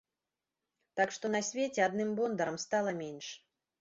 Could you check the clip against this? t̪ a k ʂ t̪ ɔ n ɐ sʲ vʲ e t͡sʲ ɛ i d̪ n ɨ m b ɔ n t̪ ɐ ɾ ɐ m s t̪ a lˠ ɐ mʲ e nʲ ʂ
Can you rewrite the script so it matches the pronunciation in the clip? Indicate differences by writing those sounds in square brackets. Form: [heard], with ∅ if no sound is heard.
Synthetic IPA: t̪ a k ʂ t̪ ɔ n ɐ sʲ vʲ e t͡sʲ ɛ [a] d̪ n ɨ m b ɔ n [d̪] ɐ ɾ ɐ m s t̪ a lˠ ɐ mʲ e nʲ ʂ